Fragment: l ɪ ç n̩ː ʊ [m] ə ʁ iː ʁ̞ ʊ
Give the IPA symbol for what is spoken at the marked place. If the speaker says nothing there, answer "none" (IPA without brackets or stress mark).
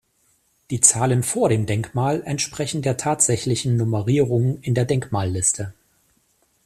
m